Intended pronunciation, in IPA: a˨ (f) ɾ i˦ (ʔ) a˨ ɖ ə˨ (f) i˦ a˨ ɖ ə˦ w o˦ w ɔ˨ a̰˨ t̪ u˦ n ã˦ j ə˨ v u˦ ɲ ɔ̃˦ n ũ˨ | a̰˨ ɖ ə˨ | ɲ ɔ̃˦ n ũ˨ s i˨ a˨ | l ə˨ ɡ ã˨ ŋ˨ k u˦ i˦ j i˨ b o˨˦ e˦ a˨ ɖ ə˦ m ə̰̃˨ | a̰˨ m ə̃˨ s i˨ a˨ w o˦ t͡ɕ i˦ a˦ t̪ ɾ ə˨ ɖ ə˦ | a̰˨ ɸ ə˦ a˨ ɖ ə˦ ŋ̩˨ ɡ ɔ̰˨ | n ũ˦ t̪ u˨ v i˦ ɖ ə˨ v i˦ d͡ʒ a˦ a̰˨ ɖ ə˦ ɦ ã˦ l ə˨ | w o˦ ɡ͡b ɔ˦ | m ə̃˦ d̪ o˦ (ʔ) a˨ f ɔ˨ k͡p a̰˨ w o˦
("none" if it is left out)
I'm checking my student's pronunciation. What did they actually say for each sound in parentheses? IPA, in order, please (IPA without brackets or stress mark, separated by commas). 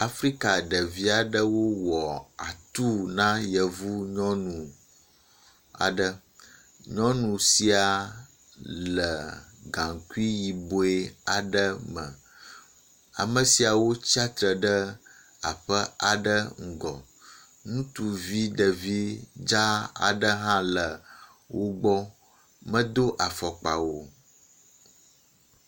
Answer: f, k, v, ʔ